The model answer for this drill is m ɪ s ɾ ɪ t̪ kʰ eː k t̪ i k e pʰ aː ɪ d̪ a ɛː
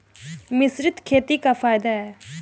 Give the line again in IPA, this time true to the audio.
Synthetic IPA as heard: m ɪ s ɾ ɪ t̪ kʰ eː t̪ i k a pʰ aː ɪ d̪ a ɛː